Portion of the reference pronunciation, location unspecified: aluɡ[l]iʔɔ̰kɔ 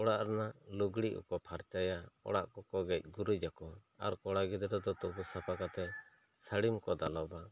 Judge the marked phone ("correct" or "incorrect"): incorrect